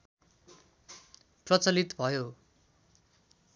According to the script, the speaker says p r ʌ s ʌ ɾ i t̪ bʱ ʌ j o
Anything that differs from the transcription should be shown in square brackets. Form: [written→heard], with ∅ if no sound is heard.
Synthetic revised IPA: p r ʌ [s→t͡s] ʌ [ɾ→l] i t̪ bʱ ʌ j o